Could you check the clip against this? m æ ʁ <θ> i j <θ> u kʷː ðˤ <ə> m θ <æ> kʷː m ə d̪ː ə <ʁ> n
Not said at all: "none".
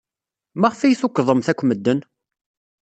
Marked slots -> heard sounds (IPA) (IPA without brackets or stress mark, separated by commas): f, θ, ə, æ, none